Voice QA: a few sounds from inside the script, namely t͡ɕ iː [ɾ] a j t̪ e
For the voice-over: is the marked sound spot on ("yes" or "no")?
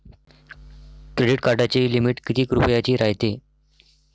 yes